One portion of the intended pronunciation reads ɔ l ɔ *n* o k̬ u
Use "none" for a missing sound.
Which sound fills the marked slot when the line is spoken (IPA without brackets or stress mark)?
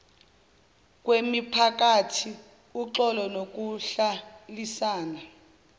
n